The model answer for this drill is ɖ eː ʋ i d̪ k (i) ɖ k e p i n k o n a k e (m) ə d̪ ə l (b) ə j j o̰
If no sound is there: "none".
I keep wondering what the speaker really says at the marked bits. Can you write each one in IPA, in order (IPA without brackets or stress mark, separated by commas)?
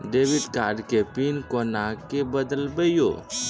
a, b, b